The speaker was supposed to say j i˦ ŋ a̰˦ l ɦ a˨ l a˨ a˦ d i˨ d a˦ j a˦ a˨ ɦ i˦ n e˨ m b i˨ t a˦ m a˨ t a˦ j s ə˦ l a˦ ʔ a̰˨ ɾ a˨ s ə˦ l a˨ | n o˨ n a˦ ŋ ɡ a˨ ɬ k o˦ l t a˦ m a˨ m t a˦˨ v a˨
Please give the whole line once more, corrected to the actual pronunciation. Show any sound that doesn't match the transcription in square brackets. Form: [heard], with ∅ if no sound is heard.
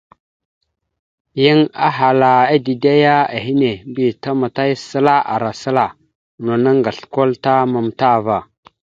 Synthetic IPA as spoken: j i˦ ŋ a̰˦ [∅] ɦ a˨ l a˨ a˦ d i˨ d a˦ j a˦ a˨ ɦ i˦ n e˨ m b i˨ t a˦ m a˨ t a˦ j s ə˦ l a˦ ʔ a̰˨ ɾ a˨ s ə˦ l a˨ | n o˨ n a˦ ŋ ɡ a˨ ɬ k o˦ l t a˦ m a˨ m t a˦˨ v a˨